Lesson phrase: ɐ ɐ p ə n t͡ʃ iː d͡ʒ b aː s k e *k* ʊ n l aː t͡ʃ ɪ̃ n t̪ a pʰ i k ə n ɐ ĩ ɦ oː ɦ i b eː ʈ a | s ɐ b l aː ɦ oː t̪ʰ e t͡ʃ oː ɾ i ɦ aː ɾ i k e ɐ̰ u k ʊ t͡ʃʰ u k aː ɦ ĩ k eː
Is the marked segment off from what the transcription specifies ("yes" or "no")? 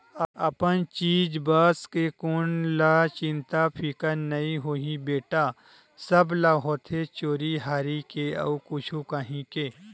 no